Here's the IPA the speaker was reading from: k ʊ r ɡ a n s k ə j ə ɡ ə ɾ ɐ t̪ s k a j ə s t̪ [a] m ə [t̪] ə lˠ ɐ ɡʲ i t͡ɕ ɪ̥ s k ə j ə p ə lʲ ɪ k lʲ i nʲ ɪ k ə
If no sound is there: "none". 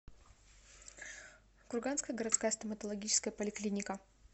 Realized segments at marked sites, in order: ə, t̪

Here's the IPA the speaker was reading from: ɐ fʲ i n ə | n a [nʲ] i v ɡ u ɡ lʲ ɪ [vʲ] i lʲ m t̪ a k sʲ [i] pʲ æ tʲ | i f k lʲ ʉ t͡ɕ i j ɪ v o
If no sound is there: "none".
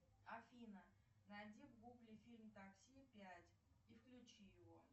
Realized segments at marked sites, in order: dʲ, fʲ, i

